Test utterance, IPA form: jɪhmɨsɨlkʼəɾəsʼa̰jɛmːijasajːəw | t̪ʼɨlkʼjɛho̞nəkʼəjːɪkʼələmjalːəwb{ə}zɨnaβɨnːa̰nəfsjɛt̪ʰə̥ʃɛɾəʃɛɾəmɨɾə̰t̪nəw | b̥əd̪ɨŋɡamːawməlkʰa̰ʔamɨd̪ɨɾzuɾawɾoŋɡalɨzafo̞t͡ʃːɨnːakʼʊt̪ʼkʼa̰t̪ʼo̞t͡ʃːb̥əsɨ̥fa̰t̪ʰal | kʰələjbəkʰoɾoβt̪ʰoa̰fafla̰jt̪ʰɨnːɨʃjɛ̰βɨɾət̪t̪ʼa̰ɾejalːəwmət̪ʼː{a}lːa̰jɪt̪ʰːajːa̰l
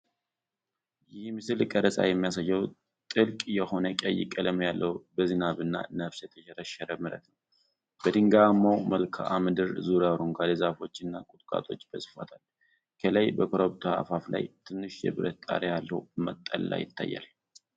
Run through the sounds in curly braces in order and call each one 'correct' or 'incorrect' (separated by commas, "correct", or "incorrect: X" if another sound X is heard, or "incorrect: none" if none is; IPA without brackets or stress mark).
correct, incorrect: ə